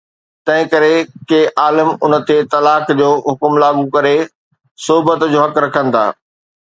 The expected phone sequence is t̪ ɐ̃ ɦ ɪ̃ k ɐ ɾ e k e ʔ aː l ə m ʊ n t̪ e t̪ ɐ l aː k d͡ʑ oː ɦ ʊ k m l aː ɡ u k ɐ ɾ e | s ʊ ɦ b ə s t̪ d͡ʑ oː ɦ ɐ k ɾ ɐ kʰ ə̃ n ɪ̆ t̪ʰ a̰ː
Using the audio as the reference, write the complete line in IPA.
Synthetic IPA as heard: t̪ ɐ̃ ɦ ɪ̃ k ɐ ɾ e k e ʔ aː l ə m ʊ n t̪ e t̪ ɐ l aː k d͡ʑ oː ɦ ʊ k m l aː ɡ u k ɐ ɾ e | s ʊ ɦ b ə t̪ d͡ʑ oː ɦ ɐ k ɾ ɐ kʰ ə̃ n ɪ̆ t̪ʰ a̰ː